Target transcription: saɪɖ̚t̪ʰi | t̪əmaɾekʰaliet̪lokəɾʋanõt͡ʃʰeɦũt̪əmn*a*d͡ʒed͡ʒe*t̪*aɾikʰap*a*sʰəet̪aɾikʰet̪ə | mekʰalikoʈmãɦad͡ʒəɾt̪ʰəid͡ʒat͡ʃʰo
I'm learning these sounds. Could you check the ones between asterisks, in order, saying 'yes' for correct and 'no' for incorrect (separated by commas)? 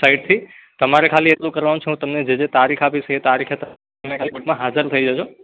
no, yes, no